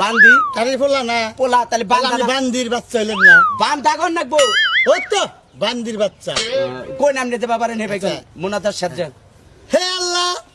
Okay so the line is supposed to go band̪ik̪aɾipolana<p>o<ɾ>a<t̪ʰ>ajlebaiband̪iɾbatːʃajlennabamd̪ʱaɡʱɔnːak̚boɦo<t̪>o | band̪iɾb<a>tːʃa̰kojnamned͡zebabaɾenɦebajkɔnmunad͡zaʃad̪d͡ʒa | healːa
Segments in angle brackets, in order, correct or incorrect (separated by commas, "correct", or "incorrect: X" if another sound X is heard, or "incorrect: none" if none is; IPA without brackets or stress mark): correct, incorrect: l, incorrect: t̪, correct, correct